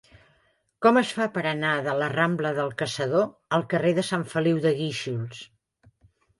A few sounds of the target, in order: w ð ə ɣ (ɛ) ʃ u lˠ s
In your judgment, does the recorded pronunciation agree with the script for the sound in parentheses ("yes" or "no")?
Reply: no